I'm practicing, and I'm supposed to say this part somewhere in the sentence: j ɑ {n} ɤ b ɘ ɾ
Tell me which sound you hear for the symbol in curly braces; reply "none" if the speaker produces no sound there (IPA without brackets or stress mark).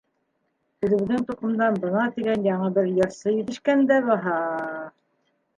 ɴ